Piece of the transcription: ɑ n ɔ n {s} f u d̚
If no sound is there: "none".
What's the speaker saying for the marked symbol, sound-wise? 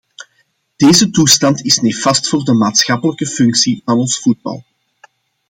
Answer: s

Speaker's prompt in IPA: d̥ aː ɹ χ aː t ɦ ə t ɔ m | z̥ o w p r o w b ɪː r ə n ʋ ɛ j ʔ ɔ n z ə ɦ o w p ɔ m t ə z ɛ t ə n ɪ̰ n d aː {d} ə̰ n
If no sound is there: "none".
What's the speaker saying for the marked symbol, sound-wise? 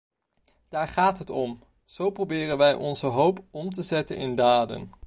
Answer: d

